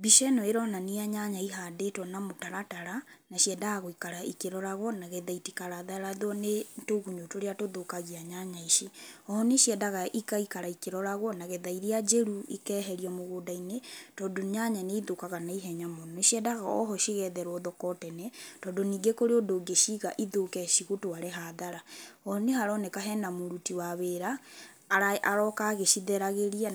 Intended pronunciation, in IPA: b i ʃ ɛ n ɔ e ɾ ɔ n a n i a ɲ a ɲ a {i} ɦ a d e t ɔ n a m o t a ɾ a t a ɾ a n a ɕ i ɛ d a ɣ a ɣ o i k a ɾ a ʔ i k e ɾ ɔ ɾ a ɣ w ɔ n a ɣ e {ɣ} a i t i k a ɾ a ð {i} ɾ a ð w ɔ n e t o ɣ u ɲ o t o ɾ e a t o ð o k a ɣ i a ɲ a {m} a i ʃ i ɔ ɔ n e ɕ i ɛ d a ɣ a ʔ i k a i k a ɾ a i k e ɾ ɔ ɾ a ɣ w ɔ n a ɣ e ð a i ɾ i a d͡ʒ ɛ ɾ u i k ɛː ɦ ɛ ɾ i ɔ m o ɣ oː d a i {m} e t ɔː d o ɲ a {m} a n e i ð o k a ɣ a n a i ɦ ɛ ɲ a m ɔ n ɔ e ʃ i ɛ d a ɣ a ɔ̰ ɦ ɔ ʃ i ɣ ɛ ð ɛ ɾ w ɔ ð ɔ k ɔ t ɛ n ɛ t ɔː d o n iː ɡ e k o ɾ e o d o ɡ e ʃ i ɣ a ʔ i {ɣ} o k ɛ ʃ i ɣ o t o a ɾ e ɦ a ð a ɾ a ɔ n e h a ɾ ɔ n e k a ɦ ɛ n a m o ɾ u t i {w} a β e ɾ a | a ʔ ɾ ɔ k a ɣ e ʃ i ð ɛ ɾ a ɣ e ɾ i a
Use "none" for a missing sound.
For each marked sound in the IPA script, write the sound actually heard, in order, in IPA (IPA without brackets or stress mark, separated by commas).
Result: i, ð, a, ɲ, n, ɲ, ð, w